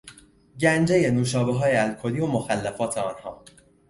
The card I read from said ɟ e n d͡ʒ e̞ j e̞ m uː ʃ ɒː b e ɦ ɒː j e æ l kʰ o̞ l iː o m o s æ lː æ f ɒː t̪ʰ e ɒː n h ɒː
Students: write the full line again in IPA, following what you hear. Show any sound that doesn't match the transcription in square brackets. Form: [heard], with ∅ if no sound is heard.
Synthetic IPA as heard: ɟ [æ] n d͡ʒ e̞ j e̞ [n] uː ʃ ɒː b e ɦ ɒː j e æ l kʰ o̞ l iː o m o [x] æ lː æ f ɒː t̪ʰ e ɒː n h ɒː

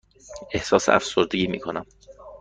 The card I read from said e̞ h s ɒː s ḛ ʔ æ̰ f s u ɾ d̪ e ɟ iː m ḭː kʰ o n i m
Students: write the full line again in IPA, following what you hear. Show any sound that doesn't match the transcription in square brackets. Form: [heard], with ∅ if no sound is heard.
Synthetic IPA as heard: e̞ h s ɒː s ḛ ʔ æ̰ f s [o] ɾ d̪ e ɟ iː m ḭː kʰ o n [æ] m

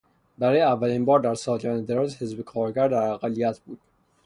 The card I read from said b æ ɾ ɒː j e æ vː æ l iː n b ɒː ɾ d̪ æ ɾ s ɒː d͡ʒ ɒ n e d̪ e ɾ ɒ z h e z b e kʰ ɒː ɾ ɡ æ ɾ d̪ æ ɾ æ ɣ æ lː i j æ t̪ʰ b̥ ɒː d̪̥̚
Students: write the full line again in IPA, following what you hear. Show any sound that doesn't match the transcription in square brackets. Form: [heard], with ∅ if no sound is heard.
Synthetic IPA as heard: b æ ɾ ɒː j e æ vː æ l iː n b ɒː ɾ d̪ æ ɾ s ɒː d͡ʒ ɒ n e d̪ e ɾ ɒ z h e z b e kʰ ɒː ɾ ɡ æ ɾ d̪ æ ɾ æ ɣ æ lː i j æ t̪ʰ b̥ [uː] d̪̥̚

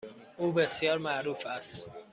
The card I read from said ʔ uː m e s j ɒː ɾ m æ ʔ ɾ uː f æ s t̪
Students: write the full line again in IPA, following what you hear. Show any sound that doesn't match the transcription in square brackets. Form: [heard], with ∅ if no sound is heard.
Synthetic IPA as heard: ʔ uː [b] e s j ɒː ɾ m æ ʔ ɾ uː f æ s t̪

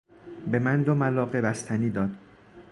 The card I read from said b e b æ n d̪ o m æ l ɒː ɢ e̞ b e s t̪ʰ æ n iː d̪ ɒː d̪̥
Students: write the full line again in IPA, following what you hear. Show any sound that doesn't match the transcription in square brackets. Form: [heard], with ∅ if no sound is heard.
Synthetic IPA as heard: b e [m] æ n d̪ o m æ l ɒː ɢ e̞ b [æ] s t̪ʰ æ n iː d̪ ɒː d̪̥

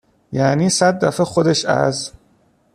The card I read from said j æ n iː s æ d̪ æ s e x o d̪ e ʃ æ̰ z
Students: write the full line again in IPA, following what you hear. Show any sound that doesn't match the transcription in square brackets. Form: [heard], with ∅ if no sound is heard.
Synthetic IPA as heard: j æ n iː s æ [d̪ː] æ [f] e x o d̪ e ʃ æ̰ z

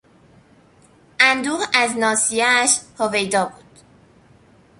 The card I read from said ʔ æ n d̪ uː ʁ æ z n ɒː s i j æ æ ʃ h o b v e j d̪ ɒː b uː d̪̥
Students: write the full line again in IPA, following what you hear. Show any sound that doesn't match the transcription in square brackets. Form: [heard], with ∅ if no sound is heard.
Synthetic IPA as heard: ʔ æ n d̪ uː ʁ æ z n ɒː s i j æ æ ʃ h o [∅] v e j d̪ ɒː b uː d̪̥

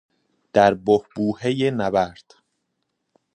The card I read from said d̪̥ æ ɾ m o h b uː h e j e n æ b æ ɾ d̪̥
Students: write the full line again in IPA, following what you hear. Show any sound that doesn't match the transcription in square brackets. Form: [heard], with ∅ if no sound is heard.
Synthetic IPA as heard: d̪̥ æ ɾ [b] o h b uː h e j e n æ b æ ɾ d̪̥

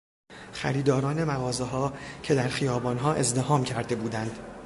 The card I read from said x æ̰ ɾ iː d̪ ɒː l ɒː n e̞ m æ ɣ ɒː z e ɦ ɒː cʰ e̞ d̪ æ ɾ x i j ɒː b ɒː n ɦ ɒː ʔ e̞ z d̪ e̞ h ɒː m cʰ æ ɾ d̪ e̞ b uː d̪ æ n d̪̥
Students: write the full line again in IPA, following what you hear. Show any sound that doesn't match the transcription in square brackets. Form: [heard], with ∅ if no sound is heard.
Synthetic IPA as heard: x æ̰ ɾ iː d̪ ɒː [ɾ] ɒː n e̞ m æ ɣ ɒː z e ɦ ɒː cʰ e̞ d̪ æ ɾ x i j ɒː b ɒː n ɦ ɒː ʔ e̞ z d̪ e̞ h ɒː m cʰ æ ɾ d̪ e̞ b uː d̪ æ n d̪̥

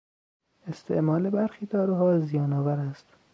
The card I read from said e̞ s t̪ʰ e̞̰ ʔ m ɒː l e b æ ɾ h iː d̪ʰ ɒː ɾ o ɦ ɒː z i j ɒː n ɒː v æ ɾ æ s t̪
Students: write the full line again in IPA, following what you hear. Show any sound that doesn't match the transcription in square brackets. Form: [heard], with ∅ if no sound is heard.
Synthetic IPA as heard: e̞ s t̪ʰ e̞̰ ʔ m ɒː l e b æ ɾ [x] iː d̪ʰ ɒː ɾ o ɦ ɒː z i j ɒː n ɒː v æ ɾ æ s t̪

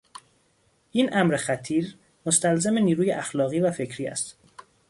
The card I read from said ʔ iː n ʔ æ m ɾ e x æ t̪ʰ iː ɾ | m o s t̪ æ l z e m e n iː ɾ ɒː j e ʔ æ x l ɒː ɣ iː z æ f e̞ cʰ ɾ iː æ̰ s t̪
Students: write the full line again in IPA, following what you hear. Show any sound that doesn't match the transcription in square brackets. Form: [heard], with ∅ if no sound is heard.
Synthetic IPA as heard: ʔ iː n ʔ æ m ɾ e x æ t̪ʰ iː ɾ | m o s t̪ æ l z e m e n iː ɾ [uː] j e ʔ æ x l ɒː ɣ iː [v] æ f e̞ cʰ ɾ iː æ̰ s t̪

